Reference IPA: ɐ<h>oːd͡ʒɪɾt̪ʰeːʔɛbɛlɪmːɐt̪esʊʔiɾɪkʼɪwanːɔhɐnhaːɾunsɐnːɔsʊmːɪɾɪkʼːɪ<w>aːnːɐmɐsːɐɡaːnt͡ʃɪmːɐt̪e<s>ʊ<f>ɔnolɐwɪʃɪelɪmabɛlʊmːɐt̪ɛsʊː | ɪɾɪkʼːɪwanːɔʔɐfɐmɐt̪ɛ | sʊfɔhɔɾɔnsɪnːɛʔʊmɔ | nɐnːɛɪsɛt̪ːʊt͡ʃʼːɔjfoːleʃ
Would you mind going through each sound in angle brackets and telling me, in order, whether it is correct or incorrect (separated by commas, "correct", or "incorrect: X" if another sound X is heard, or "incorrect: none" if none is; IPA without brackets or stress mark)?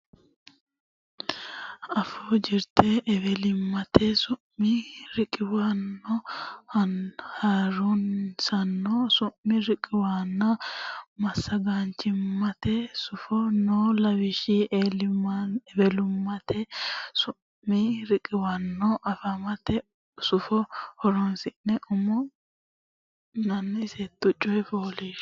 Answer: incorrect: f, correct, correct, correct